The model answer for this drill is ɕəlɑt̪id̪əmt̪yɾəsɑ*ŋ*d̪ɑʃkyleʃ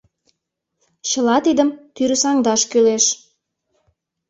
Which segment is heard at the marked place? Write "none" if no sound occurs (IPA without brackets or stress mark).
ŋ